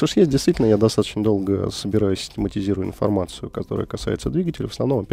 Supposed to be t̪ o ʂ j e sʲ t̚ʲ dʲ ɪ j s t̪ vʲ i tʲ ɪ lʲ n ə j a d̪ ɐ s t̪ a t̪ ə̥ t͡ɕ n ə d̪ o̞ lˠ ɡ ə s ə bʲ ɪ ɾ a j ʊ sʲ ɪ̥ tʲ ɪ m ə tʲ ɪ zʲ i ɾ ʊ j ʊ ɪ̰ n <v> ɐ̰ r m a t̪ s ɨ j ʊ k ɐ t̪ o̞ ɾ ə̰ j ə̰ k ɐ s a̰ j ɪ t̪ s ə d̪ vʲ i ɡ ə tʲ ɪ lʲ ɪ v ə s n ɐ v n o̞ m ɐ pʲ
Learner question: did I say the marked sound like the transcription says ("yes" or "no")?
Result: no